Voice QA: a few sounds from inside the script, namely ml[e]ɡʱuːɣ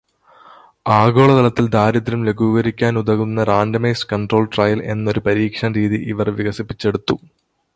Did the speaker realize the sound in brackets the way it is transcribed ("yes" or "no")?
yes